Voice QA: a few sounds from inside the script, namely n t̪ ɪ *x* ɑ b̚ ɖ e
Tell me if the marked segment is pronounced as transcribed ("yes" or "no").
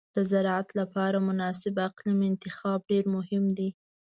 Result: yes